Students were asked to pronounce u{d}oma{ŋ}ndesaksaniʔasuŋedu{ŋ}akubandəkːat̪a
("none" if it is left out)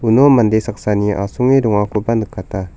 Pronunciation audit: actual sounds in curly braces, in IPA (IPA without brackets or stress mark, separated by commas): n, none, ŋ